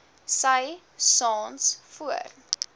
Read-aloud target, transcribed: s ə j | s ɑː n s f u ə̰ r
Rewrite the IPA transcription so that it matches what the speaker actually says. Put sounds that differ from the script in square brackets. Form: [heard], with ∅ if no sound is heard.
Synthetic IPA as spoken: s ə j | s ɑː n s f u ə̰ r